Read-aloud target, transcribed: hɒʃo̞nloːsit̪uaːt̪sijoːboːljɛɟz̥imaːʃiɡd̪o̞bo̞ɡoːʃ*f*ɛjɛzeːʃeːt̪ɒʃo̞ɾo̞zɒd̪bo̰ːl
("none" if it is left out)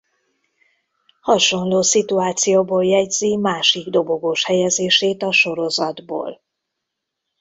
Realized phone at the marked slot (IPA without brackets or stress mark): h